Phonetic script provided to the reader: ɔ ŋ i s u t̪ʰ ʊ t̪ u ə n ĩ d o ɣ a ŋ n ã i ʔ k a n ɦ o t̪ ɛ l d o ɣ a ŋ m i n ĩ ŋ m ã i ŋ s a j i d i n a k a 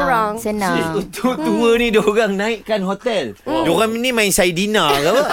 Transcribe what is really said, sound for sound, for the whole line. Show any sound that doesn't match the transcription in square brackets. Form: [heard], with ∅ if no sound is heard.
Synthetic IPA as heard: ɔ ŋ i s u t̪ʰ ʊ t̪ u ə n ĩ d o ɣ a ŋ n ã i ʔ k a n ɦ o t̪ ɛ l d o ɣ a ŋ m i n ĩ [∅] m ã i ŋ s a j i d i n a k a